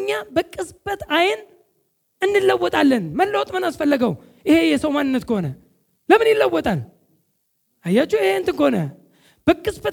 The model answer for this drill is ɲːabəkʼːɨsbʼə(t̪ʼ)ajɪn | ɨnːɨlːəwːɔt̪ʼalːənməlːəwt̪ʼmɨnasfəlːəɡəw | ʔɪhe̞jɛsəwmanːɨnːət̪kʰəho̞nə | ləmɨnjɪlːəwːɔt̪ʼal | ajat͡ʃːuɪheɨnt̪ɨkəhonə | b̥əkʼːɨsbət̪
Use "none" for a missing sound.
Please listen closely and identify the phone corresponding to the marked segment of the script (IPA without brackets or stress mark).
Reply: t̪